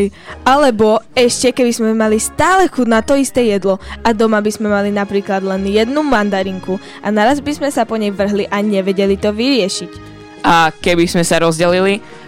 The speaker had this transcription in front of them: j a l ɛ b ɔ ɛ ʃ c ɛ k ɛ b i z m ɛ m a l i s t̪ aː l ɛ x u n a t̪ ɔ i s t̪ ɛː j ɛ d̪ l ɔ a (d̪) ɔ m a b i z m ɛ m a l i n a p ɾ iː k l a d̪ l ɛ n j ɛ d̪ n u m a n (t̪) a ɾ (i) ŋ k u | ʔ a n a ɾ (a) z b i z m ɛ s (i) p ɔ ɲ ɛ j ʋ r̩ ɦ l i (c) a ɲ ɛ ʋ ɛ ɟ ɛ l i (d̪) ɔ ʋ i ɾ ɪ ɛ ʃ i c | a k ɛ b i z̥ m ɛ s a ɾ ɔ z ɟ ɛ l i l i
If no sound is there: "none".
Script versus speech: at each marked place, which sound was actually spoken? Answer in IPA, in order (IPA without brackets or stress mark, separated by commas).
d̪, d̪, i, a, a, ʔ, t̪